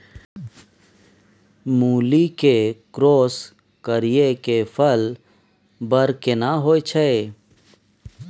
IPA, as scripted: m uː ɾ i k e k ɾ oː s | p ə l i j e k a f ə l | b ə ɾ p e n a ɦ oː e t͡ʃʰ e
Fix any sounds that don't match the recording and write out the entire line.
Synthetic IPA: m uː l i k e k ɾ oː s | k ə ɾ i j e k e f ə l | b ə ɾ k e n a ɦ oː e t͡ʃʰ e